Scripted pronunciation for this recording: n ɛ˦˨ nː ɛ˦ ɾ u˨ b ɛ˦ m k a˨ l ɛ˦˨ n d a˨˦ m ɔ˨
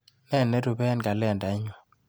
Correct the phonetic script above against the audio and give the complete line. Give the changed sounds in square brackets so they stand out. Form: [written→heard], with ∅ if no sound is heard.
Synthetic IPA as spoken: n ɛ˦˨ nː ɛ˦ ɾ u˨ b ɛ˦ [m→n] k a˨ l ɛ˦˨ n d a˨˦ [m→ɲ] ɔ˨